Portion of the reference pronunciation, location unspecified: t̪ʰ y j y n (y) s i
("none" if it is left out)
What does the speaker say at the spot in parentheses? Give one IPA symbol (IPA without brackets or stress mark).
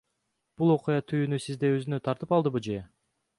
y